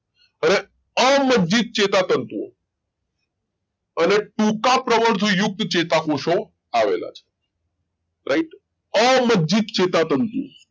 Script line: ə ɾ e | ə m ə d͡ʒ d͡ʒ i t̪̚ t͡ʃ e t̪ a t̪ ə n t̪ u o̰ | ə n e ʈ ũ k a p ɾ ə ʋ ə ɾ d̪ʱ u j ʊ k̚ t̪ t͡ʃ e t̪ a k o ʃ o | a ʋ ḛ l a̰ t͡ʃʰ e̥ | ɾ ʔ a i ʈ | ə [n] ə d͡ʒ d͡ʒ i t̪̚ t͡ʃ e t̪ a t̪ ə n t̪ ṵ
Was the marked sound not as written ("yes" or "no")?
yes